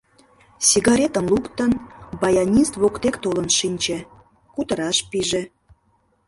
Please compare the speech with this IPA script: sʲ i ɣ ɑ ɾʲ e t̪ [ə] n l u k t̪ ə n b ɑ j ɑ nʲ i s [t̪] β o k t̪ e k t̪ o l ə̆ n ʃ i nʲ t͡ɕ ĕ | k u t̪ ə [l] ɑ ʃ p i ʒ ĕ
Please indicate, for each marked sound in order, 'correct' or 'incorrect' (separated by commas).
correct, correct, incorrect